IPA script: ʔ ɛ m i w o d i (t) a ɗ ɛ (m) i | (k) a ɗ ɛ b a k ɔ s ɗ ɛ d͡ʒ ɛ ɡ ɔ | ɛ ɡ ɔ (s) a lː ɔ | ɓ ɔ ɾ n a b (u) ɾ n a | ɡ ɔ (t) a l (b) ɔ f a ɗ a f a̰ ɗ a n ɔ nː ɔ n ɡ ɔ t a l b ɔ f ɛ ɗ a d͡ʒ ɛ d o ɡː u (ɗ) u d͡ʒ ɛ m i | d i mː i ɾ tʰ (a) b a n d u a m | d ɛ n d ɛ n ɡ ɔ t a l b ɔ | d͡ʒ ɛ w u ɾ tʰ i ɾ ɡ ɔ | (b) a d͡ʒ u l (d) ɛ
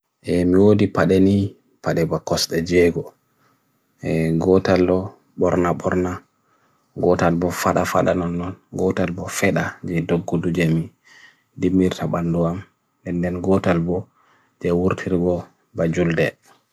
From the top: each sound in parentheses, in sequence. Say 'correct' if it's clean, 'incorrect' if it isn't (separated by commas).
incorrect, incorrect, incorrect, incorrect, incorrect, correct, correct, incorrect, correct, correct, correct